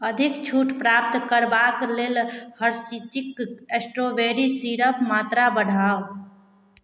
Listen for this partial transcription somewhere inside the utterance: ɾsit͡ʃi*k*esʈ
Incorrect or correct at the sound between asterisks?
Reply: correct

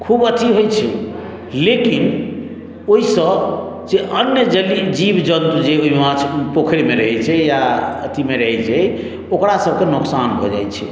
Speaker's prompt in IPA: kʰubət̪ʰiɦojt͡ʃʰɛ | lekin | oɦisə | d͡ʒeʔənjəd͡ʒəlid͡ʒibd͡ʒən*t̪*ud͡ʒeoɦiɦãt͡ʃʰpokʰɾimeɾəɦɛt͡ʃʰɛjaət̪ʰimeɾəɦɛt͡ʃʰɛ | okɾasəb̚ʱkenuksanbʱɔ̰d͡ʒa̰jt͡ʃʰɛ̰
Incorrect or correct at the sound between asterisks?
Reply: correct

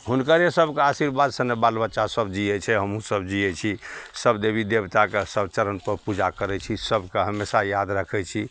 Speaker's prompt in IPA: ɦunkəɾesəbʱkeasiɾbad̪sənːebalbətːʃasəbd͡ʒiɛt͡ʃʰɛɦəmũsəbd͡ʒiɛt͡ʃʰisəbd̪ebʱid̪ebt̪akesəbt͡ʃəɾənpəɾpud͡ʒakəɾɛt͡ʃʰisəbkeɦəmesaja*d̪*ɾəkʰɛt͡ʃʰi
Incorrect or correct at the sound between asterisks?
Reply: correct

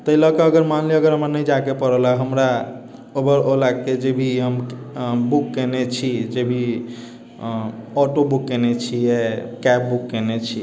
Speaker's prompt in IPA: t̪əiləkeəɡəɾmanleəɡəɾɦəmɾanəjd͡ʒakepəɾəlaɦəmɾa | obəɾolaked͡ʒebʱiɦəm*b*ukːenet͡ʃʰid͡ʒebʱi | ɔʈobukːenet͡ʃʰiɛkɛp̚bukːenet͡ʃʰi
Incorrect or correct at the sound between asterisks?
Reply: correct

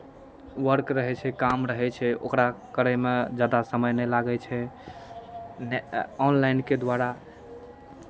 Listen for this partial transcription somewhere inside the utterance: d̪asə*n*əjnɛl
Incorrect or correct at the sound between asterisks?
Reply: incorrect: m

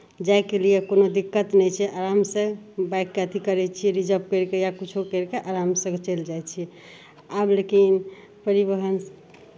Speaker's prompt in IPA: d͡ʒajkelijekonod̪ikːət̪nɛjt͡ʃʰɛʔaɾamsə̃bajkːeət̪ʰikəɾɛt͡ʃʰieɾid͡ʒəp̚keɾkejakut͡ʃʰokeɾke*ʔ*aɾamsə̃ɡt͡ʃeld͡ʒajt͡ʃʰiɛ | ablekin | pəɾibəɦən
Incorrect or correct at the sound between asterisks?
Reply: correct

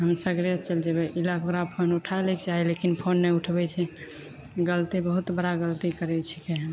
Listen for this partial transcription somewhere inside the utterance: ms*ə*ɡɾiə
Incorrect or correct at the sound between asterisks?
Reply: correct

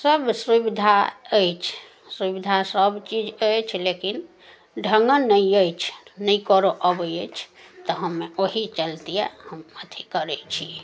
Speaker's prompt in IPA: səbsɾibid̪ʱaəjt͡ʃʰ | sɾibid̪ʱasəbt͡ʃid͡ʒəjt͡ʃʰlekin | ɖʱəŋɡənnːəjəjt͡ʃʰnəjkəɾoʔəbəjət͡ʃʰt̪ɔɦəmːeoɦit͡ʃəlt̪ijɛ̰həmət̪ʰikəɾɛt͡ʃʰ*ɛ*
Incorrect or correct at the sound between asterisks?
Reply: incorrect: i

